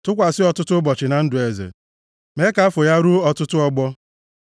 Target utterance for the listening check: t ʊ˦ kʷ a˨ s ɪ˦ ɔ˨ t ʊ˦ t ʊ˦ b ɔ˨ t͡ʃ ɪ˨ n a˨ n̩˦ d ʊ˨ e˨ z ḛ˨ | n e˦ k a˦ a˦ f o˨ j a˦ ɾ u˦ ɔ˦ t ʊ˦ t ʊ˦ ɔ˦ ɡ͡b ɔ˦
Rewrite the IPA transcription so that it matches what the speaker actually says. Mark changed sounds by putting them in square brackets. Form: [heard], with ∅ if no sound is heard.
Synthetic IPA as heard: t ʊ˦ kʷ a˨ s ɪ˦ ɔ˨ t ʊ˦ t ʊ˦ b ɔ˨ t͡ʃ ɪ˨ n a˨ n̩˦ d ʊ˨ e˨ z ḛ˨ | [m] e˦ k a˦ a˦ f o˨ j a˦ ɾ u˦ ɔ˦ t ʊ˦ t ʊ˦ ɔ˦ ɡ͡b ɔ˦

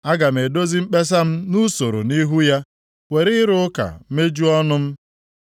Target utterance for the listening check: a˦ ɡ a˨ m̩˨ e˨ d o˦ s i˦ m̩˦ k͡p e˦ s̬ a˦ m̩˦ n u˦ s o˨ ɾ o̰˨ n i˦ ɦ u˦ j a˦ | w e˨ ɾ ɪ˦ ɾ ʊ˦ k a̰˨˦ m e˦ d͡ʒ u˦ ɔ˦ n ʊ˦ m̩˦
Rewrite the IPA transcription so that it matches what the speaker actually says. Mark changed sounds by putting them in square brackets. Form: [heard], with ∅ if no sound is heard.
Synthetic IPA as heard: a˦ ɡ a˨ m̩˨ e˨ d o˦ [z] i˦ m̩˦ k͡p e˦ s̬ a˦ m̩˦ n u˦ s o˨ ɾ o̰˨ n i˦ ɦ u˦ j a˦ | w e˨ ɾ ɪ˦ ɾ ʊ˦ k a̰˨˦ m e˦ d͡ʒ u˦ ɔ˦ n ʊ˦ m̩˦

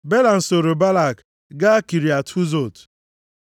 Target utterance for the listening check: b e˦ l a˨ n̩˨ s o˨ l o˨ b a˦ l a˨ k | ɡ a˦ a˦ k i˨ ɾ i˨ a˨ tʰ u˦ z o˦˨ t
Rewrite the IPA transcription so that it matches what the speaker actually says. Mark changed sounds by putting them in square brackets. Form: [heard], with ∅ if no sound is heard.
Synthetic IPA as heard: b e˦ l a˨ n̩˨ s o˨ [ɾ] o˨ b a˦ l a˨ k | ɡ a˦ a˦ k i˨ ɾ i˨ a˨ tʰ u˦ z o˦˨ t

